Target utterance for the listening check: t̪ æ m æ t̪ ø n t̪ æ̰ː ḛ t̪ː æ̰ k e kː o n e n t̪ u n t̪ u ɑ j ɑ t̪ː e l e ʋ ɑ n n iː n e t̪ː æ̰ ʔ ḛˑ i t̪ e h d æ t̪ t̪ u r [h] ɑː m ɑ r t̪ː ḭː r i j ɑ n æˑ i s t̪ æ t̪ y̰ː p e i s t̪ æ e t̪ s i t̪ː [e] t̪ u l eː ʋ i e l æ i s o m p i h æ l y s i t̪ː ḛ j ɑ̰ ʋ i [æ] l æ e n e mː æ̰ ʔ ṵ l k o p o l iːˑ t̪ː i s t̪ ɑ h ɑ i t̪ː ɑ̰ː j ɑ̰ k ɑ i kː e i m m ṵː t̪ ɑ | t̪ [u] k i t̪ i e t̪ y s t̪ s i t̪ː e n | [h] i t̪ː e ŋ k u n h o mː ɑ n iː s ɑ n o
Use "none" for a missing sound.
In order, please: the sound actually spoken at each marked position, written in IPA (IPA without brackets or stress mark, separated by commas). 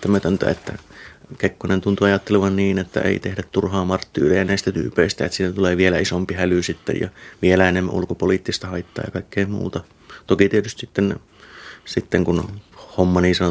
h, æ, e, o, s